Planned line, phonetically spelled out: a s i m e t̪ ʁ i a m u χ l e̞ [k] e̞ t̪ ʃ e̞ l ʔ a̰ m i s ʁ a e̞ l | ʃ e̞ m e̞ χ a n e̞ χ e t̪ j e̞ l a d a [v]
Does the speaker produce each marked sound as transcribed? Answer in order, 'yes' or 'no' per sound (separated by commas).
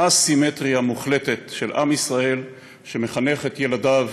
no, yes